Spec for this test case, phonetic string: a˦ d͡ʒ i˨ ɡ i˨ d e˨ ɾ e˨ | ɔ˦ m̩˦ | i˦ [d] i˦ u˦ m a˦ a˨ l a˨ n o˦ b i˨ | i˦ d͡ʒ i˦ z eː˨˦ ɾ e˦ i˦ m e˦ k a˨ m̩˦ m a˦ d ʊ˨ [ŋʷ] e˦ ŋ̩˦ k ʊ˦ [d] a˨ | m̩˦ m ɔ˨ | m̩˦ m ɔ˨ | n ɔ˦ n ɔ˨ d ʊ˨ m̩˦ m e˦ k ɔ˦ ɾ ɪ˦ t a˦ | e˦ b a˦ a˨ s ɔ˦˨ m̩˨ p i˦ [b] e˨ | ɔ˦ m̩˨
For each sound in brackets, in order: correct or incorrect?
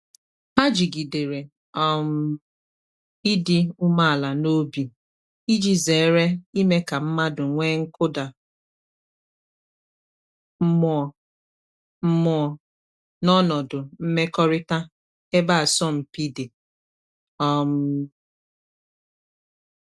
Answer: correct, correct, correct, incorrect: d

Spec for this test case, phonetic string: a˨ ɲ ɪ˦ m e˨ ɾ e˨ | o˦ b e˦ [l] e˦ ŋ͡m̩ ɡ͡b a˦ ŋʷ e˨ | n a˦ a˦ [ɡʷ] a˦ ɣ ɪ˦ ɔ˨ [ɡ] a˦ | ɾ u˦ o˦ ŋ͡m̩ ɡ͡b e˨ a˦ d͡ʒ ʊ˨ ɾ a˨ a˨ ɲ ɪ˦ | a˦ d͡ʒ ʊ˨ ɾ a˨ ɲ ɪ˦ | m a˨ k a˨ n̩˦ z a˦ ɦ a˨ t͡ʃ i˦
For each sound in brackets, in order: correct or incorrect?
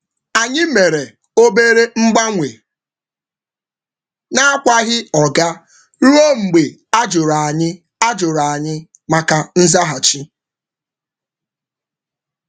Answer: incorrect: ɾ, incorrect: kʷ, correct

